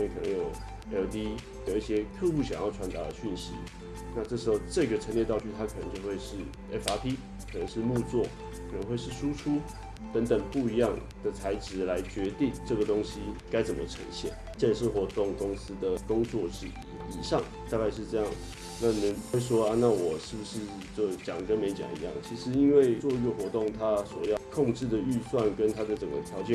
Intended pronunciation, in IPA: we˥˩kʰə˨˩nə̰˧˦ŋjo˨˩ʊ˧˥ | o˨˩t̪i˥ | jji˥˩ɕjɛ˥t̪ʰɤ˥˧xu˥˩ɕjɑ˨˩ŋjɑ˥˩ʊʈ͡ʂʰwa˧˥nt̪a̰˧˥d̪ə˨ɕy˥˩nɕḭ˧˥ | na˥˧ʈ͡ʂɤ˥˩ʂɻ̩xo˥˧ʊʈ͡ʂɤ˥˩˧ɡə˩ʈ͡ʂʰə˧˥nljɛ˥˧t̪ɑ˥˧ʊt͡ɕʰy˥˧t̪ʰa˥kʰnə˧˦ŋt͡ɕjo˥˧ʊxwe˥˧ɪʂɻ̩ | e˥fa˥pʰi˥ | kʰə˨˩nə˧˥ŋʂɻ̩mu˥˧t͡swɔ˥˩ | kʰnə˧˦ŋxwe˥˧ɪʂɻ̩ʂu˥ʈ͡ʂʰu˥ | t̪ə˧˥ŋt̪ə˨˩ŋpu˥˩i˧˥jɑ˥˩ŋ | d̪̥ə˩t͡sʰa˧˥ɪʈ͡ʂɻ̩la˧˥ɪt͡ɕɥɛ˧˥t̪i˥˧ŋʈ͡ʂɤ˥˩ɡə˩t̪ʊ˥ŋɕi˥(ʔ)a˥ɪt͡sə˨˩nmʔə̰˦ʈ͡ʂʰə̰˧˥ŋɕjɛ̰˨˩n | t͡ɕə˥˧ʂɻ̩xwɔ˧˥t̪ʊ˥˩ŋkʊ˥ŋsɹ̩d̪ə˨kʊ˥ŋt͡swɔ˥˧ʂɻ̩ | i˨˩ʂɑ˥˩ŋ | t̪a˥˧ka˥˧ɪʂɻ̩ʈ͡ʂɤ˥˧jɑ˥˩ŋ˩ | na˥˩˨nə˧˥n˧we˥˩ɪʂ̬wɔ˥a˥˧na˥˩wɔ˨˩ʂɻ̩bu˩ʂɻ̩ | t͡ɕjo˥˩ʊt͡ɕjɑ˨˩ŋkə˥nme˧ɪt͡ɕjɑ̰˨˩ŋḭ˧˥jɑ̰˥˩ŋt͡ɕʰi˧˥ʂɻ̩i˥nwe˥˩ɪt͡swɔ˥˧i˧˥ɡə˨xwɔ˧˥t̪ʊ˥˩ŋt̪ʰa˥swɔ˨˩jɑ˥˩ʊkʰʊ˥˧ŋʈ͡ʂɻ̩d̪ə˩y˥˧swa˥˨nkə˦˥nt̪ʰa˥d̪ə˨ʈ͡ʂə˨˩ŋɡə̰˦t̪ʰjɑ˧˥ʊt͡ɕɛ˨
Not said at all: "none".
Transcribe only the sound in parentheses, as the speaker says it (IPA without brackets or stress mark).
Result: k